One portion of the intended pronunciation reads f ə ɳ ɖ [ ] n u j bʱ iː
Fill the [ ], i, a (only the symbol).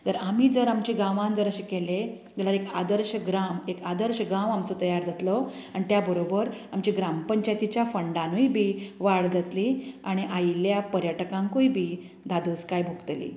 a